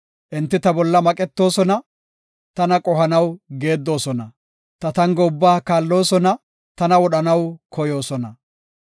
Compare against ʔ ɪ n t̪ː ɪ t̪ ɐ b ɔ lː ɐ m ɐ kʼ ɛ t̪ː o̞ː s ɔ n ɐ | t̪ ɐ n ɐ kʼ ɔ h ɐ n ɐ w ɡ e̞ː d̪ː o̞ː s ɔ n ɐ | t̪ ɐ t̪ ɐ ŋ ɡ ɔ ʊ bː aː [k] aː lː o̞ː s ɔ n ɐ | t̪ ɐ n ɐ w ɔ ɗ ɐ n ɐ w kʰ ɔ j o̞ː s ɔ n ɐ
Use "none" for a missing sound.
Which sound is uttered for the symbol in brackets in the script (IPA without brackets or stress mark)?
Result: k